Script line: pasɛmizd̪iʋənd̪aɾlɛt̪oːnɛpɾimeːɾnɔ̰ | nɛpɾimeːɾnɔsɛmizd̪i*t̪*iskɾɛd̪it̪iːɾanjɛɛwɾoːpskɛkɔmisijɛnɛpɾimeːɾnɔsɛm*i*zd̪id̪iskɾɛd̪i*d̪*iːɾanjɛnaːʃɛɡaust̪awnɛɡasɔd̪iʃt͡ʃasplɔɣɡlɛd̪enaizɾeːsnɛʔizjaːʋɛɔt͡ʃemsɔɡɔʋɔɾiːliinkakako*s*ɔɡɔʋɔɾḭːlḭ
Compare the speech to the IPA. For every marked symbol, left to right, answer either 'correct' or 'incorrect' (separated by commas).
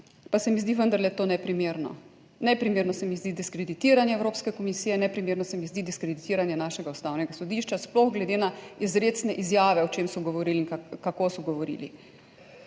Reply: incorrect, correct, incorrect, correct